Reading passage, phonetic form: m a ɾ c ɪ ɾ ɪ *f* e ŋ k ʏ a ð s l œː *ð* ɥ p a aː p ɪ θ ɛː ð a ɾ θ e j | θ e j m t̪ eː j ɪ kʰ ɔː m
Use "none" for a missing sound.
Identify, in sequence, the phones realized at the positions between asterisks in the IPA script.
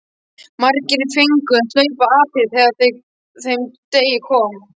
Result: f, none

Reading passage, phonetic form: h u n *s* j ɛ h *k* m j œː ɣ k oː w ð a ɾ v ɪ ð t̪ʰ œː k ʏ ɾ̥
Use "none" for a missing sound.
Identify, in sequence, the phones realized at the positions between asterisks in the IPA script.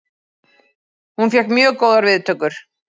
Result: f, k

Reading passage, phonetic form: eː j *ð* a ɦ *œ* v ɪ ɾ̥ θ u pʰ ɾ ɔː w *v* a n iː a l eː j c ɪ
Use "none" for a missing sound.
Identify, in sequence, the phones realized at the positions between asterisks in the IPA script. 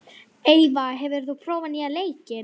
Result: v, ɛ, v

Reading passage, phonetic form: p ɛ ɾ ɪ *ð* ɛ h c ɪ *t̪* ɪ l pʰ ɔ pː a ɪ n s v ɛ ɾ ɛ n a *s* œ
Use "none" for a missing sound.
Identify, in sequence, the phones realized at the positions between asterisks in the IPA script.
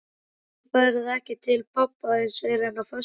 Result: ð, t̪ʰ, f

